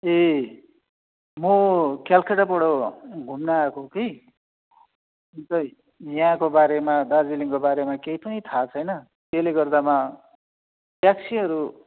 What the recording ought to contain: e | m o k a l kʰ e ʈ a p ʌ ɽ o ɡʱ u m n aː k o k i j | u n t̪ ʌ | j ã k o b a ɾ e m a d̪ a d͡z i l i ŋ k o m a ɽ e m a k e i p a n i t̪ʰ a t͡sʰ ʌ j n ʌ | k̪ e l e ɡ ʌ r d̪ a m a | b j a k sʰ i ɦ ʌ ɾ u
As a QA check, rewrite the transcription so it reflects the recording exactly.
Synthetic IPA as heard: e | m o k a l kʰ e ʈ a p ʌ ɽ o ɡʱ u m n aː k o k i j | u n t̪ ʌ | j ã k o b a ɾ e m a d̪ a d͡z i l i ŋ k o b a ɾ e m a k e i p ʌ n i t̪ʰ a t͡sʰ ʌ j n ʌ | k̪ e l e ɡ ʌ r d̪ a m a | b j a k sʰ i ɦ ʌ ɾ u